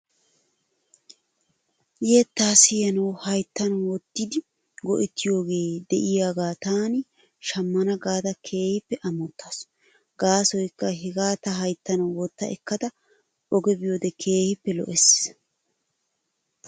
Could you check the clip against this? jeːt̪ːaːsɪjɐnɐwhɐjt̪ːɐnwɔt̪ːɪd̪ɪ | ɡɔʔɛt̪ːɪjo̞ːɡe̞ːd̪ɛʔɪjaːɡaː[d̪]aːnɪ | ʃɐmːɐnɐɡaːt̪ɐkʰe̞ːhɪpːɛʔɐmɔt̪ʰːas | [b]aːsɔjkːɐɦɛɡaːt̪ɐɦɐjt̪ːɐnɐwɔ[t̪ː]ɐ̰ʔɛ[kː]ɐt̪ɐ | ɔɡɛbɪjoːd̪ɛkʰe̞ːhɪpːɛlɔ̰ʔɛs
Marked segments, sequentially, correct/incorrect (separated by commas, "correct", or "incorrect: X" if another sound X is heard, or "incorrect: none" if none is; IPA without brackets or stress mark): incorrect: t̪, incorrect: ɡ, correct, correct